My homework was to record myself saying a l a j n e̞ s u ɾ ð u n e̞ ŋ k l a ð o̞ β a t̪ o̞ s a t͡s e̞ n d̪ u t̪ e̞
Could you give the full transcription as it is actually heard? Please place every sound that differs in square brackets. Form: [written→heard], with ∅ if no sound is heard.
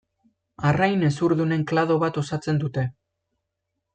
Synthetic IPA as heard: a [l→r] a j n e̞ s u ɾ ð u n e̞ ŋ k l a ð o̞ β a t̪ o̞ s a t͡s e̞ n d̪ u t̪ e̞